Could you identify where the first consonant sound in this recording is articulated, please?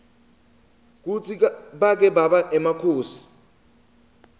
velar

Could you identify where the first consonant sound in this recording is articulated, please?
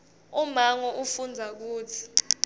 labial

